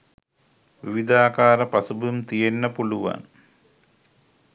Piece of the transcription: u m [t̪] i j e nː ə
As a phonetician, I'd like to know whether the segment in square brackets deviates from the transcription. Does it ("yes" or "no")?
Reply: no